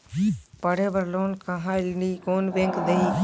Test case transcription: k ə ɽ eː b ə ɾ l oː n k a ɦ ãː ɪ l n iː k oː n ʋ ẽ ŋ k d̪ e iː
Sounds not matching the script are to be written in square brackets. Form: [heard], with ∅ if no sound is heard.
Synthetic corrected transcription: [p] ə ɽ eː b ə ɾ l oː n k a ɦ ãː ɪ l n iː k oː n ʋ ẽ ŋ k d̪ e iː